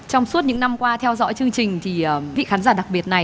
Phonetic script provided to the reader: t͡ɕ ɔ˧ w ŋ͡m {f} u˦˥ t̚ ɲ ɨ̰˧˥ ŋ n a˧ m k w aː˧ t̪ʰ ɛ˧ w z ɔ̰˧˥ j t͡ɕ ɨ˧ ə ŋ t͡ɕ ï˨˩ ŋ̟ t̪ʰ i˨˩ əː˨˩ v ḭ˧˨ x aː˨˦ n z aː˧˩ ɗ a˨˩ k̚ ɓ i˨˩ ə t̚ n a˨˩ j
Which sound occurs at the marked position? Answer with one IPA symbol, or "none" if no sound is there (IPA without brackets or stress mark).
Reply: s